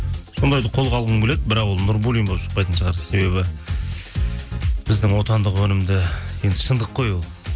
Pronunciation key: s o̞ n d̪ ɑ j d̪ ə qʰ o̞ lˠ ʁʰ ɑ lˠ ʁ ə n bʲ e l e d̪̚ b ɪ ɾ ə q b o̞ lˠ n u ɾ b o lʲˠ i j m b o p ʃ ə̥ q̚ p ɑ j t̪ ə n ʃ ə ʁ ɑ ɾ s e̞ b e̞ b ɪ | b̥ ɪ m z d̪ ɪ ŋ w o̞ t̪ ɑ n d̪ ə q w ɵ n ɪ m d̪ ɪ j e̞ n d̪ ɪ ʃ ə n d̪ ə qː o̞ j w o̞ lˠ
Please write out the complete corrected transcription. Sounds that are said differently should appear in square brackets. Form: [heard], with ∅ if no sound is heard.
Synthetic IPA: s o̞ n d̪ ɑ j d̪ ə qʰ o̞ lˠ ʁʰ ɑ lˠ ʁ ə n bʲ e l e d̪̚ b ɪ ɾ [ɑ] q [w] o̞ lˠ n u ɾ b [u] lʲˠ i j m b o p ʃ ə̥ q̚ p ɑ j t̪ ə n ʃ ə ʁ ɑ ɾ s e̞ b e̞ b ɪ | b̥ ɪ [∅] z d̪ ɪ ŋ w o̞ t̪ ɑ n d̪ ə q w ɵ n ɪ m d̪ ɪ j e̞ n d̪ ɪ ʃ ə n d̪ ə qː o̞ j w o̞ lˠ